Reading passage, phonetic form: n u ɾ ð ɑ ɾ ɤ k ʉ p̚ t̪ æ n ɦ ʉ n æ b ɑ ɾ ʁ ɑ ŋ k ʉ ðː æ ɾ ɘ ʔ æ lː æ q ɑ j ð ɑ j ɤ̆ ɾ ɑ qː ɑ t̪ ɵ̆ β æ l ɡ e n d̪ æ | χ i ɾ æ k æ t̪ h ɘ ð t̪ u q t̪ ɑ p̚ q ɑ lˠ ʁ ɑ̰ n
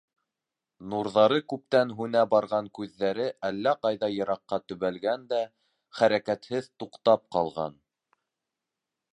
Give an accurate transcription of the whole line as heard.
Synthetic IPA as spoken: n u ɾ ð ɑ ɾ ɤ k ʉ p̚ t̪ æ n ɦ ʉ n æ b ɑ ɾ ʁ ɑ ŋ k ʉ ðː æ ɾ ɘ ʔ æ lː æ q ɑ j ð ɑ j ɤ̆ ɾ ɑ qː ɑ t̪ ɵ̆ β æ l ɡ æ n d̪ æ | χ æ ɾ æ k æ t̪ h ɘ ð t̪ u q t̪ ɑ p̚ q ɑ lˠ ʁ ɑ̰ n